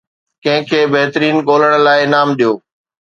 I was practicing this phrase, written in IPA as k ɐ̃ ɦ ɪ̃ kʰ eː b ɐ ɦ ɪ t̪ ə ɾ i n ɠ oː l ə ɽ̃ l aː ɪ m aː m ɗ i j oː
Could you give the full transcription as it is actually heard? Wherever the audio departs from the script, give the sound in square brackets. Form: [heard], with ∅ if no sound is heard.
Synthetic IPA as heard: k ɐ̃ ɦ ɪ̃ kʰ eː b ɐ ɦ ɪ t̪ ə ɾ [iː] n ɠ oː l ə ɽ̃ l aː ɪ [n] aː m ɗ i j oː